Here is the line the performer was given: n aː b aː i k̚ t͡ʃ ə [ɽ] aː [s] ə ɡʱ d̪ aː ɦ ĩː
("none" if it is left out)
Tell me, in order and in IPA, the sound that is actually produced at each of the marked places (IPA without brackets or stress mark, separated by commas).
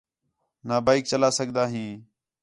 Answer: l, s